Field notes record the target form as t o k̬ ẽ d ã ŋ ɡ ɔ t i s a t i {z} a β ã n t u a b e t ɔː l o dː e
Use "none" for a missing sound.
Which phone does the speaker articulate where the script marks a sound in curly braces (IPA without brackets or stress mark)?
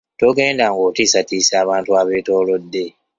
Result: s